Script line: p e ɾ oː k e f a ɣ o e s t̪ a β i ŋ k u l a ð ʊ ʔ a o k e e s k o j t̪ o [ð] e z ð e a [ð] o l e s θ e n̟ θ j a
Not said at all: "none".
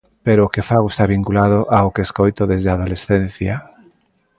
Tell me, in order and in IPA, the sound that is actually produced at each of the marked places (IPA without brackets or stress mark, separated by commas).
ð, ð